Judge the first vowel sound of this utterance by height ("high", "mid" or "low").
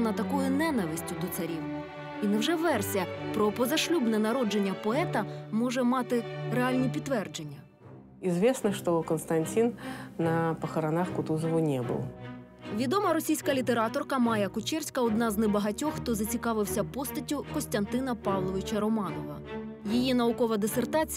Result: low